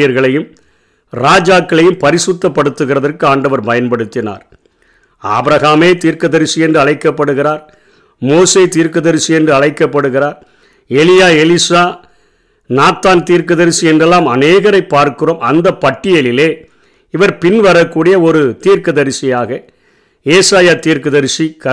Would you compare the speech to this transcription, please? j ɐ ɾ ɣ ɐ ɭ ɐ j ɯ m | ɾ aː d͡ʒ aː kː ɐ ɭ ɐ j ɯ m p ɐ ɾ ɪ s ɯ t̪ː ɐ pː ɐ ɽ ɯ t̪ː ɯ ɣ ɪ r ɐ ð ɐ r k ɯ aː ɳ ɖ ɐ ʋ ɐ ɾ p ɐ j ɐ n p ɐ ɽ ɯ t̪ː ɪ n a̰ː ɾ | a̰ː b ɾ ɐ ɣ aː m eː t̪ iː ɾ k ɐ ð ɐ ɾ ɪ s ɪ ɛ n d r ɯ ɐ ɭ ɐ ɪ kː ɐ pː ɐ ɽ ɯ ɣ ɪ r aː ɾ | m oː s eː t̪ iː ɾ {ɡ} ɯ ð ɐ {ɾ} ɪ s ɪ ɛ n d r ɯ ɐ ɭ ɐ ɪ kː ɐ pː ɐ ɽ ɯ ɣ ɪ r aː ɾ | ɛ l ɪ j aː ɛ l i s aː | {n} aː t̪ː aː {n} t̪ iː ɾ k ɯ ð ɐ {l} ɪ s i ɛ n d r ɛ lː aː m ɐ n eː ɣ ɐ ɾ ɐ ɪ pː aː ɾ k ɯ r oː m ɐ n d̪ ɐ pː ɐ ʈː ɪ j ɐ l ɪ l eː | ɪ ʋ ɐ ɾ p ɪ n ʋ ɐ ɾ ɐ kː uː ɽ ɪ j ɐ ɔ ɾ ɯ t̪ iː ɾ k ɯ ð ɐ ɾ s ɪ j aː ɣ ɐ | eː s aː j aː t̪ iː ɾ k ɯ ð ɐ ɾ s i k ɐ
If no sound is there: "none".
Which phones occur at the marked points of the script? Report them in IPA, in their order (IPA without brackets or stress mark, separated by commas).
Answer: k, ɾ, n, n, ɾ